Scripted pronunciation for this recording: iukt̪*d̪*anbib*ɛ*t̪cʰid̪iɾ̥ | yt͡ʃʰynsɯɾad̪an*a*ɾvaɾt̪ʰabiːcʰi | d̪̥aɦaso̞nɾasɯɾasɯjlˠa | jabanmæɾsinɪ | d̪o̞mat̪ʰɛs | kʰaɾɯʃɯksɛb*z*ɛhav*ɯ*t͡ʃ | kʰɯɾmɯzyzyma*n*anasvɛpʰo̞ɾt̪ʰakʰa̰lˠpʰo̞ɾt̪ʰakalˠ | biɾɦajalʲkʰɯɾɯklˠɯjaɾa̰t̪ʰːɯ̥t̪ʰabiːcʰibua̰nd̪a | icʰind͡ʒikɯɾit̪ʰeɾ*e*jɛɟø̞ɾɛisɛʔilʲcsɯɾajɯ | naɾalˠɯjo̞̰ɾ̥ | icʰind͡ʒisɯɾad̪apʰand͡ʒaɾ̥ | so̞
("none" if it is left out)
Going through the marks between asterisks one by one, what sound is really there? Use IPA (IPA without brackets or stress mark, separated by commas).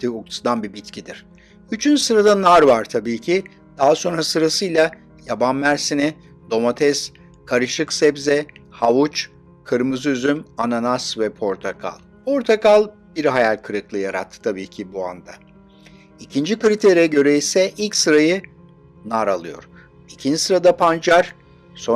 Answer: d̪, i, a, z, u, n, i